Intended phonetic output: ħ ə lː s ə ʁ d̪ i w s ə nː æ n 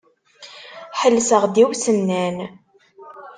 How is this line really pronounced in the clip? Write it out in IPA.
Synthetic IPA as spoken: ħ ə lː s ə ʁ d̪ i w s ə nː æ n